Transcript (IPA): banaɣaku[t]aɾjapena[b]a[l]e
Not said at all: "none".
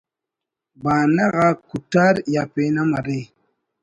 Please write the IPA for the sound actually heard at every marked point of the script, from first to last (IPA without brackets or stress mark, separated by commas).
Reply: t, m, ɾ